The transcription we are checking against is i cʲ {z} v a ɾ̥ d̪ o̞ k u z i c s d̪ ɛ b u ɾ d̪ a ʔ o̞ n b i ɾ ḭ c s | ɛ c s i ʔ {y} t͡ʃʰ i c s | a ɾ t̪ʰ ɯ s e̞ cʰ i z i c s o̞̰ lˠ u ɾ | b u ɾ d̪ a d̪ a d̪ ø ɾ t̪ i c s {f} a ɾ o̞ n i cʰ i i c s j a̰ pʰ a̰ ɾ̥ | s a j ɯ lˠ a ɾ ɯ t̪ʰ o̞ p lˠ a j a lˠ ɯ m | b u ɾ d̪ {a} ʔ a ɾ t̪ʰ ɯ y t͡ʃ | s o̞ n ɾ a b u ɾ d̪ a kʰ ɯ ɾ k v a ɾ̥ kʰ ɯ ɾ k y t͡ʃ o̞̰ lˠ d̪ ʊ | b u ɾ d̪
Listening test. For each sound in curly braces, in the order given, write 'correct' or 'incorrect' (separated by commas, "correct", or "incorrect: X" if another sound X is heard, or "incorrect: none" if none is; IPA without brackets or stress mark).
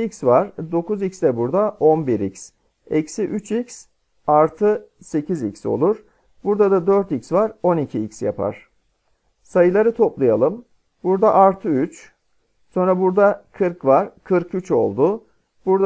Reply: incorrect: s, correct, incorrect: v, correct